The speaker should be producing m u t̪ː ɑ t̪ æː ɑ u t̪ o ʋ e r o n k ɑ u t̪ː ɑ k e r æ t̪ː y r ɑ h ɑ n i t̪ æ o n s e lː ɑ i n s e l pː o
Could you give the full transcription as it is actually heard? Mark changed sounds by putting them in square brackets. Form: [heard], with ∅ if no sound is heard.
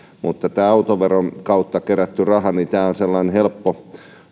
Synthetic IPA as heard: m u t̪ː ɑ t̪ æː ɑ u t̪ o ʋ e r o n k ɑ u t̪ː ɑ k e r æ t̪ː y r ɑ h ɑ n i t̪ [æː] o n s e lː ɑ i n [h] e l pː o

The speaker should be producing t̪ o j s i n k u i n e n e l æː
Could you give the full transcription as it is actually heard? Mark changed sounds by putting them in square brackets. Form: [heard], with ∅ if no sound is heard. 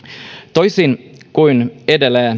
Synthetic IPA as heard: t̪ o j s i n k u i n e [d] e l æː

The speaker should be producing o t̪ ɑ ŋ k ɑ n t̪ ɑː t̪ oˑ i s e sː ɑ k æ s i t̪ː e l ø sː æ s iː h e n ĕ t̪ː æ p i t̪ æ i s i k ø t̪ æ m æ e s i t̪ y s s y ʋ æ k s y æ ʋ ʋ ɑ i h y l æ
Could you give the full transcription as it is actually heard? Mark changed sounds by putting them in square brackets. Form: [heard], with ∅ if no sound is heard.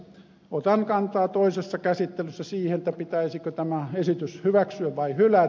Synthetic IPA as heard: o t̪ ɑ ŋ k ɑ n t̪ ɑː t̪ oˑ i s e sː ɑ k æ s i t̪ː e l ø sː æ s iː h e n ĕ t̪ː æ p i t̪ æ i s i k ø t̪ æ m æ e s i t̪ y s [h] y ʋ æ k s y æ ʋ ʋ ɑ i h y l æ

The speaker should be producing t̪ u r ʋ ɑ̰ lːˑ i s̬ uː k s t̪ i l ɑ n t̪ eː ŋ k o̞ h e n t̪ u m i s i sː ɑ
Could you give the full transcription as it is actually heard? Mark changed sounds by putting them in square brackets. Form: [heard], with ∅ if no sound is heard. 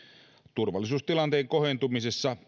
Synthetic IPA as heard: t̪ u r ʋ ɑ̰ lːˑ i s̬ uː [∅] s t̪ i l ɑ n t̪ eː ŋ k o̞ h e n t̪ u m i s [e] sː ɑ

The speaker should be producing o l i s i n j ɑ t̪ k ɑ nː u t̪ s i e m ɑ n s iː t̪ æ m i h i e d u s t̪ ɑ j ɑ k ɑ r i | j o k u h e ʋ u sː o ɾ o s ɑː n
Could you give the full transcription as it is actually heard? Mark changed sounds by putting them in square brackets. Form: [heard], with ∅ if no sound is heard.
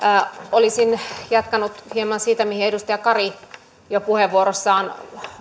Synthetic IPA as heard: o l i s i n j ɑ t̪ k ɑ [n] u t̪ [h] i e m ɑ n s iː t̪ æ m i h i e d u s t̪ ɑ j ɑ k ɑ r i | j o [p] u h e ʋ u [∅] o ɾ o [sː] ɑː n

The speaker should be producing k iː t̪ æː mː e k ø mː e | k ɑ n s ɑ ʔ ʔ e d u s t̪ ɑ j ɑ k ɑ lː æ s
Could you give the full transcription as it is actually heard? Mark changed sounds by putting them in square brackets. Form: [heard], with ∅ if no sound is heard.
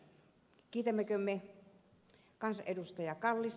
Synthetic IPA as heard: k iː t̪ [æ] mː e k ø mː e | k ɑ n s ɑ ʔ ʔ e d u s t̪ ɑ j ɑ k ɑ lː [i] s

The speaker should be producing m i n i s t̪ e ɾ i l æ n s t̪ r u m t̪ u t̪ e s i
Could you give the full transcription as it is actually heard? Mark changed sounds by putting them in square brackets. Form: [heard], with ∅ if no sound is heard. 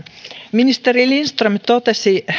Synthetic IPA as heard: m i n i s t̪ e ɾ i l [i] n s t̪ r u m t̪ [o] t̪ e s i

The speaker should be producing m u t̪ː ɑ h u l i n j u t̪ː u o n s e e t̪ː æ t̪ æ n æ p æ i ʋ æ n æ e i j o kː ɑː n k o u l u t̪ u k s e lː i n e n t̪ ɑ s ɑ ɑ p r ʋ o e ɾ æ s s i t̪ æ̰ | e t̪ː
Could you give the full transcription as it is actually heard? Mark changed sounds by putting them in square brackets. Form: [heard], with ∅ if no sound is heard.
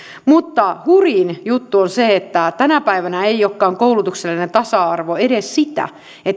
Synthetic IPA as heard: m u t̪ː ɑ h u [r] i n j u t̪ː u o n s e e t̪ː æ t̪ æ n æ p æ i ʋ æ n æ e i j o kː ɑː [ŋ] k o u l u t̪ u k s e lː i n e n t̪ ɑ s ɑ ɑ [∅] r ʋ o e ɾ [e] s s i t̪ æ̰ | e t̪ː

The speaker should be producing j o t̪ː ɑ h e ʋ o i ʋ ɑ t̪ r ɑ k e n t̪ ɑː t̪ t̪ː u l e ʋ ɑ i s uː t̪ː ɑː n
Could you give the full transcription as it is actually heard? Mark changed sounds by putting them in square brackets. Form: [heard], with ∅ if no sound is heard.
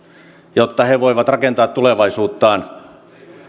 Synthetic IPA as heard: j o t̪ː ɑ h e ʋ o i ʋ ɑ t̪ r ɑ k e n t̪ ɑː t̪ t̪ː u l e ʋ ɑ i s uː t̪ː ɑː n

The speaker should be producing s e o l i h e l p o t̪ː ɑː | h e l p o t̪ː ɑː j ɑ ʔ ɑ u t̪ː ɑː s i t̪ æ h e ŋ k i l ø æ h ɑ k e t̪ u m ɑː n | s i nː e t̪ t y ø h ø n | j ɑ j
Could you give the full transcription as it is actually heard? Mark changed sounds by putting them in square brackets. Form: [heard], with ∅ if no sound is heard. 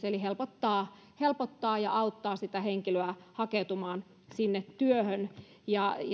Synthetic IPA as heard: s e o l i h e l p o t̪ː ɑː | h e l p o t̪ː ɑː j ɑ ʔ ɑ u t̪ː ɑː s i t̪ æ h e ŋ k i l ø æ h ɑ k e t̪ u m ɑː n | s i nː e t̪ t y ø h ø n | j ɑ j

